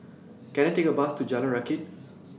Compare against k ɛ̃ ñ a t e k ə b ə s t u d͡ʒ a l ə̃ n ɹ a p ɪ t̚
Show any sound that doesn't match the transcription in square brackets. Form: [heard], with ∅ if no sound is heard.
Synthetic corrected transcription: k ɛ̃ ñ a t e k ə b [a] s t u d͡ʒ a l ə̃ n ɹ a [k] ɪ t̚